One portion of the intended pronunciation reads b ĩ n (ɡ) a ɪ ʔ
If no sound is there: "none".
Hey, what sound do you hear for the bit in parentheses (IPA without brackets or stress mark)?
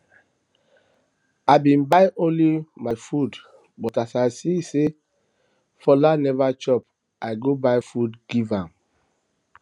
b